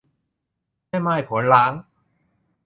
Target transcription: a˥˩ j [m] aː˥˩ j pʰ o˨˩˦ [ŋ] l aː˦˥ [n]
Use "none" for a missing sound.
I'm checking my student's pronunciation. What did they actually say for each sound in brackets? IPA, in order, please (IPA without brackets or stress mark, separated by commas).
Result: m, n, ŋ